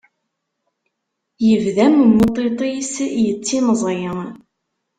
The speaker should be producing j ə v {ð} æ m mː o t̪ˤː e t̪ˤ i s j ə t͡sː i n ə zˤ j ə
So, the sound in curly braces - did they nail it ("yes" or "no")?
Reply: yes